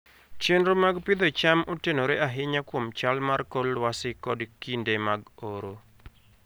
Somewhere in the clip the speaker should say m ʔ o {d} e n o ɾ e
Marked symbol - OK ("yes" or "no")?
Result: no